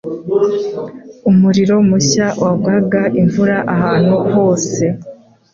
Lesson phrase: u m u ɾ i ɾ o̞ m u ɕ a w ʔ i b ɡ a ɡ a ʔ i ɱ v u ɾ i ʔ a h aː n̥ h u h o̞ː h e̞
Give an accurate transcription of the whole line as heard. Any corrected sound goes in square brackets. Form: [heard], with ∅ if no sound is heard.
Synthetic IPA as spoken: u m u ɾ i ɾ o̞ m u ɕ a w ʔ [a] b ɡ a ɡ a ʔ i ɱ v u ɾ [a] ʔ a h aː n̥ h u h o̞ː [s] e̞